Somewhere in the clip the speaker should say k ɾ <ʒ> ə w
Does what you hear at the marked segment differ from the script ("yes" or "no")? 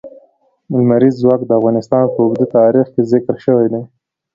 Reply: yes